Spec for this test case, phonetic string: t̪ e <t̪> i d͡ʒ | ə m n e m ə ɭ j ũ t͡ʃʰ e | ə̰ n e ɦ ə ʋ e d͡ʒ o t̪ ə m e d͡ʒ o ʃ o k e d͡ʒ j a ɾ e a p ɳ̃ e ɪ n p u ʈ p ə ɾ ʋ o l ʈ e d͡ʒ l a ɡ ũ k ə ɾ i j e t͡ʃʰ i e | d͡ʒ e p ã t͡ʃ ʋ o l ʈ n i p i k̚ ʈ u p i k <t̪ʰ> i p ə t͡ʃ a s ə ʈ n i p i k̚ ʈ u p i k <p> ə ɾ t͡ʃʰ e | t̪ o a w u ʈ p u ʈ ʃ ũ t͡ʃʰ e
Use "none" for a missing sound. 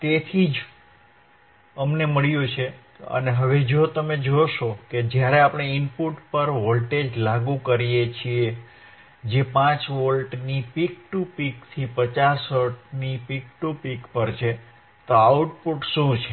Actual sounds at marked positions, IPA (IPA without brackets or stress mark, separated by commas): t̪ʰ, t̪ʰ, p